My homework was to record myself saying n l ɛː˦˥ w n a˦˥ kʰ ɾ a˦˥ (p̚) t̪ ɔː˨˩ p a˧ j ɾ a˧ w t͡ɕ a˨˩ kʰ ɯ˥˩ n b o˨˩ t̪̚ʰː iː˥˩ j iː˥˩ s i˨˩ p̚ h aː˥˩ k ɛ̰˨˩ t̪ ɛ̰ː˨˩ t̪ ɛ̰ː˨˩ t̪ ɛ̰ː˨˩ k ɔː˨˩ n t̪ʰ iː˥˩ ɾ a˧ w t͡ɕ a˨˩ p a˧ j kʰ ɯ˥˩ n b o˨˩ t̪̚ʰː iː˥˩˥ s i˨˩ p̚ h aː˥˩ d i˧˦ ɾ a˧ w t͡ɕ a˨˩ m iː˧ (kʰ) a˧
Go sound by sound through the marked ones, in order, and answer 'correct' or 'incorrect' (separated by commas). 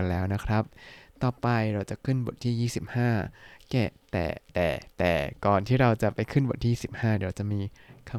correct, correct